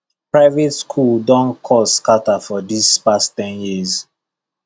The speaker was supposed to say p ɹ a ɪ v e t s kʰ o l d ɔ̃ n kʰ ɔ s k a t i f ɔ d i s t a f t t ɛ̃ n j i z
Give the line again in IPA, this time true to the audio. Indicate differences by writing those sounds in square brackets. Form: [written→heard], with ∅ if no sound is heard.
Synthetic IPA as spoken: p ɹ a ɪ v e t s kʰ [o→u] l d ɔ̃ n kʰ ɔ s k a t [i→a] f ɔ d i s [t→p] a [f→s] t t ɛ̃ n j i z